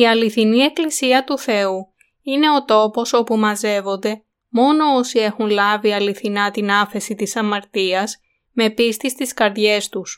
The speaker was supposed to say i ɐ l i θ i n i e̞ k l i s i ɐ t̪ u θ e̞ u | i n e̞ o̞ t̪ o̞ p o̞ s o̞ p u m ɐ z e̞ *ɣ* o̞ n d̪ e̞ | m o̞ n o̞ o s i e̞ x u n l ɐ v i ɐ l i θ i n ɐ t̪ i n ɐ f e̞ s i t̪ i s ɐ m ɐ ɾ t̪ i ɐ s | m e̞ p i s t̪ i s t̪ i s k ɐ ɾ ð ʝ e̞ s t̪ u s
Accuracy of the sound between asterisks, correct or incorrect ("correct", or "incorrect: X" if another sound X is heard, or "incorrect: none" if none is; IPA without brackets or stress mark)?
incorrect: v